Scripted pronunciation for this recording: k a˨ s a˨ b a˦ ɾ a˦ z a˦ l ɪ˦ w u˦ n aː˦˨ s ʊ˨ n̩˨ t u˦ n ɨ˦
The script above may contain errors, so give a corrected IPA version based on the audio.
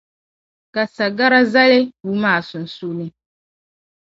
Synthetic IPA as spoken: k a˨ s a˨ ɡ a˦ ɾ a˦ z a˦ l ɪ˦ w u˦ m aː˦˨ s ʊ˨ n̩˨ s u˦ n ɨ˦